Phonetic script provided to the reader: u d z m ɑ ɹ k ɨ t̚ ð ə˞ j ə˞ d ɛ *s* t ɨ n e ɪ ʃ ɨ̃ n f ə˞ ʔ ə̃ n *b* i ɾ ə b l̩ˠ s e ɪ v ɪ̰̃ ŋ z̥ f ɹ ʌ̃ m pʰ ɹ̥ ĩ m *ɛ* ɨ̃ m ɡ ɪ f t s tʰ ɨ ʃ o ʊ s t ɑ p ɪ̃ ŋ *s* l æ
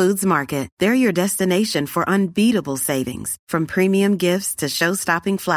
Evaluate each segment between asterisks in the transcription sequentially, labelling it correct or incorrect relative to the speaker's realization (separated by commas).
correct, correct, incorrect, incorrect